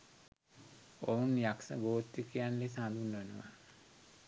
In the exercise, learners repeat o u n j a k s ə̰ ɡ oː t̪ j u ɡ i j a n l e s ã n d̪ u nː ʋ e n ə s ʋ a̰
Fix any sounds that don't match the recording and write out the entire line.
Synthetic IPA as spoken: o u n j a k s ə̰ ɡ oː t̪ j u k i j a n l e s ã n d̪ u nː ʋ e n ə ʋ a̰